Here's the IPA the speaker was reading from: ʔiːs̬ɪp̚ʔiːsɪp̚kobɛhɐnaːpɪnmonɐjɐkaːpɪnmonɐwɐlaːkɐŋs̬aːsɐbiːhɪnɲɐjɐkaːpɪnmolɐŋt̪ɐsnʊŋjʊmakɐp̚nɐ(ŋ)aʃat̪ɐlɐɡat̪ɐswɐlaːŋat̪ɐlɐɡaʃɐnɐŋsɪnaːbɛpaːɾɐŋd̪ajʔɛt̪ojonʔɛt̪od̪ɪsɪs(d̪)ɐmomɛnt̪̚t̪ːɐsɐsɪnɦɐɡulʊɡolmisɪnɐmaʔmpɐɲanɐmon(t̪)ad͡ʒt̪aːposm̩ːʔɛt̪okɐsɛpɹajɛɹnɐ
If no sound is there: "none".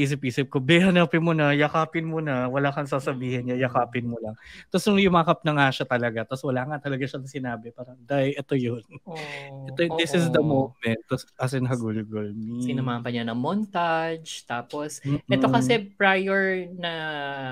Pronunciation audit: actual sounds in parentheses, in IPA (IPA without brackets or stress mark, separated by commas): ŋ, d̪, t̪